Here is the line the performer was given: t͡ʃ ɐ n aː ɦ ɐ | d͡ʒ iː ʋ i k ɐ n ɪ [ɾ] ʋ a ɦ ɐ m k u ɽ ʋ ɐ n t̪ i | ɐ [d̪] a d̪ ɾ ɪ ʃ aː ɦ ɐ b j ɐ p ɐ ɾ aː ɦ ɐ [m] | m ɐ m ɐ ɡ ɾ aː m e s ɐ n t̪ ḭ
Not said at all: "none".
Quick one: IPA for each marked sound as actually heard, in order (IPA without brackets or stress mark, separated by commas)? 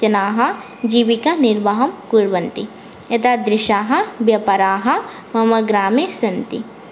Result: ɾ, t̪, none